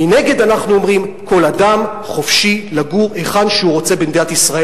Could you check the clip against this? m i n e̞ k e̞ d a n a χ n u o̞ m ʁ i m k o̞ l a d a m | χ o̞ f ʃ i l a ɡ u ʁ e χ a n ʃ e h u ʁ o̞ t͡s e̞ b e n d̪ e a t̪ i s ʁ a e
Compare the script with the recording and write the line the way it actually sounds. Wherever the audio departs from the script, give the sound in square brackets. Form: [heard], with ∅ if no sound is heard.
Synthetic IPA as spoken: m i n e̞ [ɡ] e̞ d a n a χ n u o̞ m ʁ i m k o̞ l a d a m | χ o̞ f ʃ i l a ɡ u ʁ e χ a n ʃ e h u ʁ o̞ t͡s e̞ b e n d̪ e a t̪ i s ʁ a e